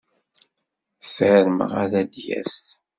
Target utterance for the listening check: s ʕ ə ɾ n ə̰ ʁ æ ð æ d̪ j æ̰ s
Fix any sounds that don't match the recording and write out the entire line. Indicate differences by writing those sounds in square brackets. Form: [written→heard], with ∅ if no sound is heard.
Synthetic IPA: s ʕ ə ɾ [n→m] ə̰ ʁ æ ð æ d̪ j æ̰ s